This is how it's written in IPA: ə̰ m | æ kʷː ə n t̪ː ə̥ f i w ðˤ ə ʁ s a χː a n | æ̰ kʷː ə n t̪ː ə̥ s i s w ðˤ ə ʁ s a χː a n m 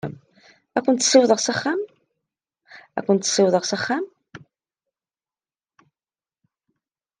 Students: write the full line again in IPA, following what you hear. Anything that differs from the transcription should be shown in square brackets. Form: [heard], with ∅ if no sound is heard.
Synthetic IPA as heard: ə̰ m | æ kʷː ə n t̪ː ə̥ [s] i w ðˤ ə ʁ s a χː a [m] | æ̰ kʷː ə n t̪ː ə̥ s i [∅] w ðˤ ə ʁ s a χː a [∅] m